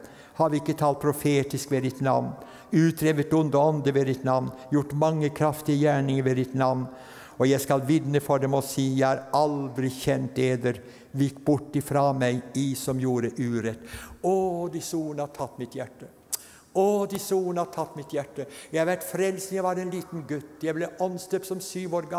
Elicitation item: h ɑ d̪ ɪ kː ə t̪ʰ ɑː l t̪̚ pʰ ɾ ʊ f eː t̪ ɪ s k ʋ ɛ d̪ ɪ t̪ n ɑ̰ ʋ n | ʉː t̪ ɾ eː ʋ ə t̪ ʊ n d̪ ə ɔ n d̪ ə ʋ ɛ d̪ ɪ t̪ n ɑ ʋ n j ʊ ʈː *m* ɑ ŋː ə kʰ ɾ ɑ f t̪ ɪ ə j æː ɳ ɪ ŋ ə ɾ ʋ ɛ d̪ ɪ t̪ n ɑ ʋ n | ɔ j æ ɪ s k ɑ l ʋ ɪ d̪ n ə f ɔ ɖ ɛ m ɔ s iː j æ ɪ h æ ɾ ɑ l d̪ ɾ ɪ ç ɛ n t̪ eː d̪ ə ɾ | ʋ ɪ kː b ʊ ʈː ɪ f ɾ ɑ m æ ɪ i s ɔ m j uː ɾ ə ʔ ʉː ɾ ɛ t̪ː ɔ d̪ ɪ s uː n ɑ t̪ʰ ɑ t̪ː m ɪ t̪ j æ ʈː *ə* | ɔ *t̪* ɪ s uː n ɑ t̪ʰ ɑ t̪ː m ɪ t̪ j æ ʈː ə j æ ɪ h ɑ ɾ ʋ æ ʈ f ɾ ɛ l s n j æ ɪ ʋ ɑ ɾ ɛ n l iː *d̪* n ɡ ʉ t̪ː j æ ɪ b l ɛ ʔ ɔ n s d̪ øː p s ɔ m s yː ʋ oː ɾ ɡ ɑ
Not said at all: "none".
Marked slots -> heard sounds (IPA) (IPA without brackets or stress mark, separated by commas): m, ə, d̪, t̪